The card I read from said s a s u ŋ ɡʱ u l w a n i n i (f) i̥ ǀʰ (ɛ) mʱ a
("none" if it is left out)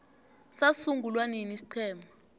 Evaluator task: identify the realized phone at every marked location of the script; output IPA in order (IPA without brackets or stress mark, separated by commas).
s, ɛː